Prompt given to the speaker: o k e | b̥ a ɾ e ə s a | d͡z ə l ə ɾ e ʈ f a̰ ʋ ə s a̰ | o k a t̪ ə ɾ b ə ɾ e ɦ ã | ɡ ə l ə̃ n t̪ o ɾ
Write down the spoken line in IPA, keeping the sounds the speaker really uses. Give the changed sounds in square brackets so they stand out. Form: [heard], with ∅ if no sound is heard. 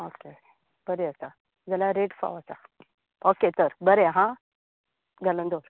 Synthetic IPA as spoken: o k e | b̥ [ə] ɾ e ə s a | d͡z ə l [a] ɾ e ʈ f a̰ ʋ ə s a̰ | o k [e] t̪ ə ɾ b ə ɾ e ɦ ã | ɡ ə l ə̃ n [d̪] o ɾ